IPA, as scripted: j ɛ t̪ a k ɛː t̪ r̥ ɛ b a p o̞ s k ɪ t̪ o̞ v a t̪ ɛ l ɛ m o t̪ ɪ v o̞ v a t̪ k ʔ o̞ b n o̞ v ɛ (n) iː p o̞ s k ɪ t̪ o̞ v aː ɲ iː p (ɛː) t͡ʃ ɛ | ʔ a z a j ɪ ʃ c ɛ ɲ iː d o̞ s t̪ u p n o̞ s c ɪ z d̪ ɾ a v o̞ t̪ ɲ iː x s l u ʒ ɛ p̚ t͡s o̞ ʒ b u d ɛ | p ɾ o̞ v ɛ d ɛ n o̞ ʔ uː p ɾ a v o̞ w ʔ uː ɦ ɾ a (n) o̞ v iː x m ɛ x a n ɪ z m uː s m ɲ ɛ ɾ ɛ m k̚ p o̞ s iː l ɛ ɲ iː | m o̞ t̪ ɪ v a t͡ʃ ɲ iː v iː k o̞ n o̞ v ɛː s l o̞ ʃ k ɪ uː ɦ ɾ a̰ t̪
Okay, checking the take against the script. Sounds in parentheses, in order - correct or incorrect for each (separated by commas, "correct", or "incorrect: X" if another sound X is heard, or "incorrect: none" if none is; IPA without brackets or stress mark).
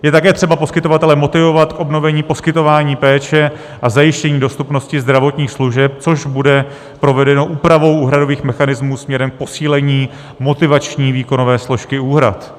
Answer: incorrect: ɲ, correct, incorrect: d